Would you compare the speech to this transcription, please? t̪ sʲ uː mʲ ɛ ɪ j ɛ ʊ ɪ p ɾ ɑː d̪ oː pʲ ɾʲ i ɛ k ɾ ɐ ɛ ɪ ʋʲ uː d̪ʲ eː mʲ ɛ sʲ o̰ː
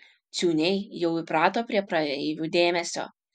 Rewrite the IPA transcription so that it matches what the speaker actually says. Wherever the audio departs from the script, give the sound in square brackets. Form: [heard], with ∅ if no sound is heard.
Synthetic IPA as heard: t̪ sʲ uː [nʲ] ɛ ɪ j ɛ ʊ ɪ p ɾ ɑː [t̪] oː pʲ ɾʲ i ɛ [p] ɾ ɐ ɛ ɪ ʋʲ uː d̪ʲ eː mʲ ɛ sʲ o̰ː